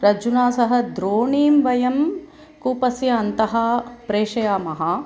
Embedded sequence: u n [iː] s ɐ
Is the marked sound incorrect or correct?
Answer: incorrect